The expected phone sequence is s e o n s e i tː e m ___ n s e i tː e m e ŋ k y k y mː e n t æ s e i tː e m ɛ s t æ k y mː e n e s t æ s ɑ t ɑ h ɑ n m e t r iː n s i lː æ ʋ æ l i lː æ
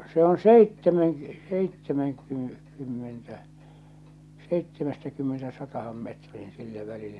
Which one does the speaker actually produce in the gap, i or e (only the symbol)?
e